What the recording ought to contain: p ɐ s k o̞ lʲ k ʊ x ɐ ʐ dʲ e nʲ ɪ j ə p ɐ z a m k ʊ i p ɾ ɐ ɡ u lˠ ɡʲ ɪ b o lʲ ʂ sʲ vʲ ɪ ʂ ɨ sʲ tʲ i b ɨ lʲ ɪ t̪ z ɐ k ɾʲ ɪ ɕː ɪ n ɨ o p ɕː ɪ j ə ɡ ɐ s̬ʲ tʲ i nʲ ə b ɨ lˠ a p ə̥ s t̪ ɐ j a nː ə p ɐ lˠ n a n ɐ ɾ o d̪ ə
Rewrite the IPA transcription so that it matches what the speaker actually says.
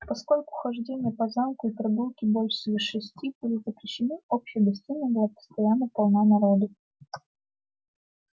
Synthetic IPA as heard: p ɐ s k o̞ lʲ k ʊ x ɐ ʐ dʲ e nʲ ɪ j ə p ɐ z a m k ʊ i p ɾ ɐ ɡ u lˠ kʲ ɪ b o lʲ ʂ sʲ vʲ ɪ ʂ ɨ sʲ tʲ i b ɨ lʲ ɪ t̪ z ə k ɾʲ ɪ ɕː ɪ n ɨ o p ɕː ɪ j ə ɡ ɐ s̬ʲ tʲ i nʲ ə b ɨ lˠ a p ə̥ s t̪ ɐ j a nː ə p ɐ lˠ n a n ɐ ɾ o d̪ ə